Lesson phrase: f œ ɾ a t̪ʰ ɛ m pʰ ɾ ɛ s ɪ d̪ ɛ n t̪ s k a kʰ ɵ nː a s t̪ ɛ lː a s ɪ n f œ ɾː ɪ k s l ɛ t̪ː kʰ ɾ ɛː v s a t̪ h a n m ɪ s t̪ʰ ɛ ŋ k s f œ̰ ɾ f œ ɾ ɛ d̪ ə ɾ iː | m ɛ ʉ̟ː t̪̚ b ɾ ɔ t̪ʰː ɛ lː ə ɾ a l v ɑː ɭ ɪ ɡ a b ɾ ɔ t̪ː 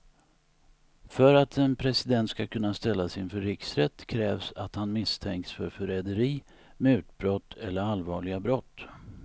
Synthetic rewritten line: f œ ɾ a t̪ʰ ɛ n pʰ ɾ ɛ s ɪ d̪ ɛ n t̪ s k a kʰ ɵ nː a s t̪ ɛ lː a s ɪ n f œ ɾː ɪ k s ɾ ɛ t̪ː kʰ ɾ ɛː v s a t̪ h a n m ɪ s t̪ʰ ɛ ŋ k s f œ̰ ɾ f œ ɾ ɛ d̪ ə ɾ iː | m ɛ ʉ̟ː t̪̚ b ɾ ɔ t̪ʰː ɛ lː ə ɾ a l v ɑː ɭ ɪ ɡ a b ɾ ɔ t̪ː